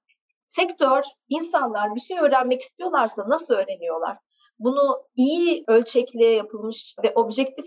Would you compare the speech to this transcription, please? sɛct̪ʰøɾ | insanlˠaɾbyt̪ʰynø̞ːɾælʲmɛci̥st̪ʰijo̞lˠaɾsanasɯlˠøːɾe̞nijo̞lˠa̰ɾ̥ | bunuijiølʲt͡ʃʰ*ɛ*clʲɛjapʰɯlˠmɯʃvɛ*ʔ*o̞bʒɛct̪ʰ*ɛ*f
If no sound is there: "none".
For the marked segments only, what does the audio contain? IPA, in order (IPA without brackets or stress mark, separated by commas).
ɛ, ʔ, i